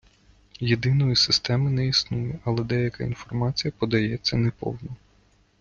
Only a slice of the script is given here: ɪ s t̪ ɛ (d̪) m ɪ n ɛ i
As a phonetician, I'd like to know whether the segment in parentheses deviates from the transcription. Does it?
yes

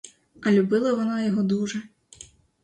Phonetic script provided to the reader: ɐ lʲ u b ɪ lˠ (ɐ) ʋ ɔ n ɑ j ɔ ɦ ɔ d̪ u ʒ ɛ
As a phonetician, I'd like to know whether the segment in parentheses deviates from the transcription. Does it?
no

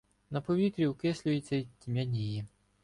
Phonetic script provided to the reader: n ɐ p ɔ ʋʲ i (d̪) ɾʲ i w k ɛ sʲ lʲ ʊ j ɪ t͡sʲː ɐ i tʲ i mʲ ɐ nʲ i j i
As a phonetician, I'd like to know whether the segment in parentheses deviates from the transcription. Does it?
yes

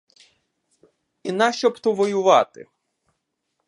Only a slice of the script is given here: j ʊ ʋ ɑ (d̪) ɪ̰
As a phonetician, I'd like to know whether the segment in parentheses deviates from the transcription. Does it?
yes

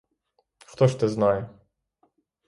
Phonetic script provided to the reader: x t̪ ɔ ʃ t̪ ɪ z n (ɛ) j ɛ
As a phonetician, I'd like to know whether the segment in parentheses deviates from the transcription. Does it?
yes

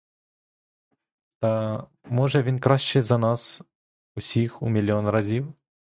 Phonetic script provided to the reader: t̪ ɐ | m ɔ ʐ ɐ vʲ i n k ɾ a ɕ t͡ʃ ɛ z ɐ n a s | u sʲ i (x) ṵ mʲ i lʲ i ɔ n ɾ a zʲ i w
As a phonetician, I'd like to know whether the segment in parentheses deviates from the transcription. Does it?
no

